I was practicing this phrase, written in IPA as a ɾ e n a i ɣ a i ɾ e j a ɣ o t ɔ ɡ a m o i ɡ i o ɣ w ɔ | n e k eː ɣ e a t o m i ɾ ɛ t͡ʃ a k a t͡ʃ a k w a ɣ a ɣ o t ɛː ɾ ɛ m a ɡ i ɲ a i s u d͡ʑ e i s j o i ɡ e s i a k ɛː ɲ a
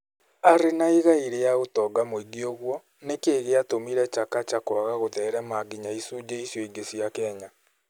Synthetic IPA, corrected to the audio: a ɾ e n a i ɣ a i ɾ e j a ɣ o t ɔ ɡ a m o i ɡ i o ɣ w ɔ | n e k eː ɣ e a t o m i ɾ ɛ t͡ʃ a k a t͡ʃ a k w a ɣ a ɣ o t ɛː ɾ ɛ m a ɡ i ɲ a i s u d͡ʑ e i s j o i ɡ e s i a k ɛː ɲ a

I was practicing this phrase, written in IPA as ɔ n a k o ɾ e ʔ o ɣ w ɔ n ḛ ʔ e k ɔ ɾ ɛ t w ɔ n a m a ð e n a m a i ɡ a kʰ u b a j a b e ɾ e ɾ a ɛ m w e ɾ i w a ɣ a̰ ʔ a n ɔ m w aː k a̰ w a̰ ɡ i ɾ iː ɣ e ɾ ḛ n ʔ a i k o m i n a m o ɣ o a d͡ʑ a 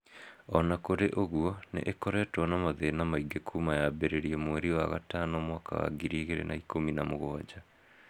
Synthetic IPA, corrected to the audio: ɔ n a k o ɾ e ʔ o ɣ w ɔ n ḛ ʔ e k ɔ ɾ ɛ t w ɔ n a m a ð e n a m a i ɡ e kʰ u m a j a b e ɾ e ɾ i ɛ m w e ɾ i w a ɣ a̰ t a n ɔ m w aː k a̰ w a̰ ɡ i ɾ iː ɣ e ɾ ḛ n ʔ a i k o m i n a m o ɣ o a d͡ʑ a

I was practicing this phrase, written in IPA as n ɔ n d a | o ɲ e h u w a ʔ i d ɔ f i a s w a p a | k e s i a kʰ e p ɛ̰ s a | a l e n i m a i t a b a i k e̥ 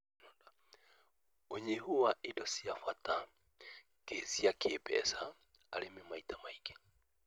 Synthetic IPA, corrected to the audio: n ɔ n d a | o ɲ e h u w a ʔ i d ɔ s i a f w a t a | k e s i a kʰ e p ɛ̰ s a | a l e m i m a i t a m a i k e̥

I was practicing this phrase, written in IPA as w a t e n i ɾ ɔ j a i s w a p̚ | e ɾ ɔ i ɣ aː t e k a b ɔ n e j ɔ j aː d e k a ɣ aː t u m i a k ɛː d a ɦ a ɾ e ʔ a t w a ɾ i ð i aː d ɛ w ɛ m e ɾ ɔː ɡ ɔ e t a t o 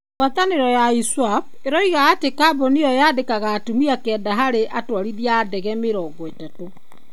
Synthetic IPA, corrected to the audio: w a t a n e ɾ ɔ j a i s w a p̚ | e ɾ ɔ i ɣ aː t e k a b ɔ n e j ɔ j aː d e k a ɣ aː t u m i a k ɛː d a ɦ a ɾ e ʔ a t w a ɾ i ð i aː d ɛ ɣ ɛ m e ɾ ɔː ɡ ɔ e t a t o

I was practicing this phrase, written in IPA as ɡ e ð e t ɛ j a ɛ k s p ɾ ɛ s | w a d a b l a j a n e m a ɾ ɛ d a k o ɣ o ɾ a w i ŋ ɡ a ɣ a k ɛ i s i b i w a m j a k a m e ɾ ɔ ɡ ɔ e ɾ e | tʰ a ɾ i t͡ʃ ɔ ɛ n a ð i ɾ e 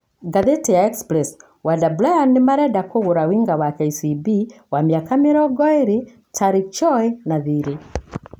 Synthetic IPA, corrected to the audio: ɡ a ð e t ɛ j a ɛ k s p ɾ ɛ s | w a d a b l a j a n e m a ɾ ɛ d a k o ɣ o ɾ a w i ŋ ɡ a w a k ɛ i s i b i w a m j a k a m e ɾ ɔ ɡ ɔ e ɾ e | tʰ a ɾ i t͡ʃ ɔ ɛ n a ð i ɾ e

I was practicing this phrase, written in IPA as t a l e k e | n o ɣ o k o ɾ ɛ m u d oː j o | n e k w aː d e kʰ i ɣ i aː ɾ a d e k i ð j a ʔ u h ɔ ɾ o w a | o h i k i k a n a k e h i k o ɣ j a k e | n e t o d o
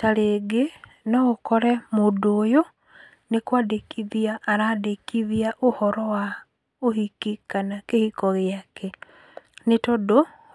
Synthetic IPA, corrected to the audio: t a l e ɡ e | n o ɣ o k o ɾ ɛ m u d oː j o | n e k w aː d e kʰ i ð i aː ɾ a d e k i ð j a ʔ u h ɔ ɾ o w a | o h i k i k a n a k e h i k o ɣ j a k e | n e t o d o

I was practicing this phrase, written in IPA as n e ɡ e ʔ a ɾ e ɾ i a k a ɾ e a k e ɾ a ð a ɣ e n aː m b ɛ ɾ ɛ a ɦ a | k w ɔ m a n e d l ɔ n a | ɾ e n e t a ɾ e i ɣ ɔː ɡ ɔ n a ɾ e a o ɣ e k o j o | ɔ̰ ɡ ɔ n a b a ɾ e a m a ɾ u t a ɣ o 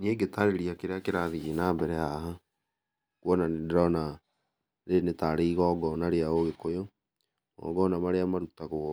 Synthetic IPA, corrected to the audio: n e ɡ e t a ɾ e ɾ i a k e ɾ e a k e ɾ a ð i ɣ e n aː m b ɛ ɾ ɛ a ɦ a | k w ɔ n a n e d ɾ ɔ n a | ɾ e n e t a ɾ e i ɣ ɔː ɡ ɔ n a ɾ e a o ɣ e k o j o | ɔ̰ ɡ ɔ n a m a ɾ e a m a ɾ u t a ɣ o

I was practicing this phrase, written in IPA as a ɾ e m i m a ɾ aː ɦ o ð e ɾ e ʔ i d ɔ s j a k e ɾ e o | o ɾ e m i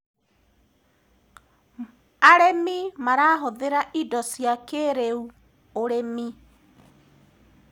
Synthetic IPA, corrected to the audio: a ɾ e m i m a ɾ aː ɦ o ð e ɾ a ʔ i d ɔ s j a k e ɾ e u | o ɾ e m i

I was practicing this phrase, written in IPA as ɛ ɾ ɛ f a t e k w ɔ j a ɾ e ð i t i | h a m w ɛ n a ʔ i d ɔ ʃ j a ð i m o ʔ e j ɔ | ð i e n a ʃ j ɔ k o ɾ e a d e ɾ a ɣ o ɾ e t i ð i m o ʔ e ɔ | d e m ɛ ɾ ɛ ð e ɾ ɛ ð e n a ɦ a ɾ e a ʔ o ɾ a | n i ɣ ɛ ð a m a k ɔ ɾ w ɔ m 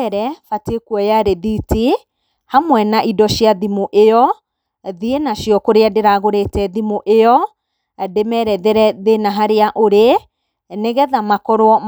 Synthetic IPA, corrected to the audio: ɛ ɾ ɛ f a t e k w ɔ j a ɾ e ð i t i | h a m w ɛ n a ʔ i d ɔ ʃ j a ð i m o ʔ e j ɔ | ð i e n a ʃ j ɔ k o ɾ e a d e ɾ a ɣ o ɾ e t ɛ ð i m o ʔ e ɔ | d e m ɛ ɾ ɛ ð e ɾ ɛ ð e n a ɦ a ɾ e a ʔ o ɾ e | n e ɣ ɛ ð a m a k ɔ ɾ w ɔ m

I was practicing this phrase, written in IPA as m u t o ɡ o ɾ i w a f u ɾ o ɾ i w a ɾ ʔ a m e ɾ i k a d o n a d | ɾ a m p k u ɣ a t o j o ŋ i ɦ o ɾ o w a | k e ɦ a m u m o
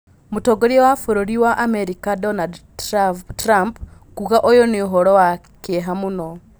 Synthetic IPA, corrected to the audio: m u t o ɡ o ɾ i w a f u ɾ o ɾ i w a ʔ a m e ɾ i k a d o n a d | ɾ a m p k u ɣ a ʔ o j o n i ɦ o ɾ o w a | k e ɦ a m u n o

